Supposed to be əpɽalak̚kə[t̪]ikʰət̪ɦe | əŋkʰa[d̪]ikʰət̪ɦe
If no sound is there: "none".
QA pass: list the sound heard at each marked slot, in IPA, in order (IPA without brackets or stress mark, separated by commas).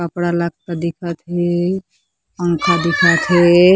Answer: d̪, d̪